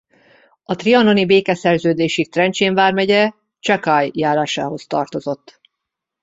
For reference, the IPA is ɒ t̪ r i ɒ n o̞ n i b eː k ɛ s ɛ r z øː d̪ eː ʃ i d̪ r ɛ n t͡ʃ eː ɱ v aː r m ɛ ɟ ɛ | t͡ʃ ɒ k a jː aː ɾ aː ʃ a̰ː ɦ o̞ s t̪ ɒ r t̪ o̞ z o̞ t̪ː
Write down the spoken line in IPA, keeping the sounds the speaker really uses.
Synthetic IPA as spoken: ɒ t̪ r i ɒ n o̞ n i b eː k ɛ s ɛ r z øː d̪ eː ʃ i t̪ r ɛ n t͡ʃ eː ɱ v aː r m ɛ ɟ ɛ | t͡ʃ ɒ k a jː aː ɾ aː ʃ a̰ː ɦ o̞ s t̪ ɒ r t̪ o̞ z o̞ t̪ː